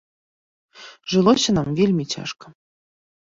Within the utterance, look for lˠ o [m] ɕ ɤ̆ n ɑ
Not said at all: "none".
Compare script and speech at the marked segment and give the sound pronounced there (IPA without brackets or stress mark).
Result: none